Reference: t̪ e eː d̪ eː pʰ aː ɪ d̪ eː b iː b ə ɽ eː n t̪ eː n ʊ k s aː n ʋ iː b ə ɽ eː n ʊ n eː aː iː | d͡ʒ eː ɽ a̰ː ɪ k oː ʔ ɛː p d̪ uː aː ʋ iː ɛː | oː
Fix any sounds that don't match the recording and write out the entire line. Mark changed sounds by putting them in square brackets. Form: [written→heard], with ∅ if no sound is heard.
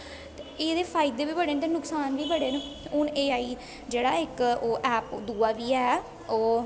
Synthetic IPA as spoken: t̪ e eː d̪ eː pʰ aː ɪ d̪ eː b iː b ə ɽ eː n t̪ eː n ʊ k s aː n ʋ iː b ə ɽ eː n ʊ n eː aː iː | d͡ʒ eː ɽ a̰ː ɪ k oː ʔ ɛː p d̪ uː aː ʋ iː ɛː | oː